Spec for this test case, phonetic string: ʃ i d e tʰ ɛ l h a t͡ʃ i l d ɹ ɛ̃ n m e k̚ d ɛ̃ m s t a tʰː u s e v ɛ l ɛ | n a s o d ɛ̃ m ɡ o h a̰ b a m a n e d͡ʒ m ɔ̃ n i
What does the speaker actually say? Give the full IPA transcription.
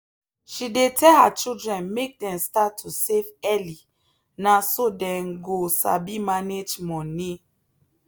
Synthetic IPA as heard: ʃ i d e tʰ ɛ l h a t͡ʃ i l d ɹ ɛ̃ n m e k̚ d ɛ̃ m s t a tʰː u s e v ɛ l i | n a s o d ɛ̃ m ɡ o s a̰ b i m a n e d͡ʒ m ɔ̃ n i